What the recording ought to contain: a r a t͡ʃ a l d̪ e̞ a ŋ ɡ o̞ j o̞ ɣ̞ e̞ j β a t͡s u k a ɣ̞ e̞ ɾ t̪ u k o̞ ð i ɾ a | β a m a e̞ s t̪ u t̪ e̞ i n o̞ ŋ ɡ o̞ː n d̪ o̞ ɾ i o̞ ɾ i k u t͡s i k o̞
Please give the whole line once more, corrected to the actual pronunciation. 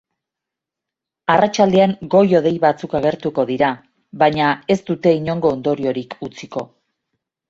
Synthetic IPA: a r a t͡ʃ a l d̪ e̞ a ŋ ɡ o̞ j o̞ ð̞ e̞ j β a t͡s u k a ɣ̞ e̞ ɾ t̪ u k o̞ ð i ɾ a | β a ɲ a e̞ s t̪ u t̪ e̞ i ɲ o̞ ŋ ɡ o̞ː n d̪ o̞ ɾ i o̞ ɾ i k u t͡s i k o̞